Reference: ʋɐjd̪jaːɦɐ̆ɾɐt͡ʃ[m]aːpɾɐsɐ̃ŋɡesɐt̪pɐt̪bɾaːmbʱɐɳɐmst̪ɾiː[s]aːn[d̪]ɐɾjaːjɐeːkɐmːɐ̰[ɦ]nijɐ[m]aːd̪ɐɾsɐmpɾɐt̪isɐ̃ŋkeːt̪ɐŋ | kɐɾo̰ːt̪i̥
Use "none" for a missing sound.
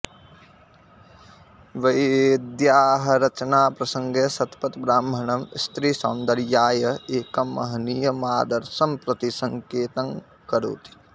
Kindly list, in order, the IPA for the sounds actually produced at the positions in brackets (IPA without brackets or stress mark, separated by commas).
n, s, d̪, ɦ, m